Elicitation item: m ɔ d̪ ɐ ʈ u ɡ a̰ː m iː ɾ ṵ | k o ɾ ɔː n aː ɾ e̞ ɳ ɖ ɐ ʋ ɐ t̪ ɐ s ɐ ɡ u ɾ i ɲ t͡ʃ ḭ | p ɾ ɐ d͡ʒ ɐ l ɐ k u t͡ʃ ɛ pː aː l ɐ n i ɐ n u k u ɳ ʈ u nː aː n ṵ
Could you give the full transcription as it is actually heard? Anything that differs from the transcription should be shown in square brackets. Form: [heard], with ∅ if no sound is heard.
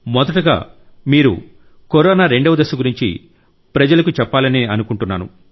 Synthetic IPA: m ɔ d̪ ɐ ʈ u ɡ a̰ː m iː ɾ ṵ | k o ɾ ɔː n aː ɾ e̞ ɳ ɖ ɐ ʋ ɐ [d̪] ɐ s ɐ ɡ u ɾ i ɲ t͡ʃ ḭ | p ɾ ɐ d͡ʒ ɐ l ɐ k u t͡ʃ ɛ pː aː l ɐ n i ɐ n u k u ɳ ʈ u nː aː n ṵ